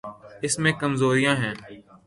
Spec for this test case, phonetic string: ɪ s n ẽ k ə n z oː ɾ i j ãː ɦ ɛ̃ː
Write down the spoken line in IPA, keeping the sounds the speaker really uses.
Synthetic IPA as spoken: ɪ s m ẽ k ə m z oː ɾ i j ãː ɦ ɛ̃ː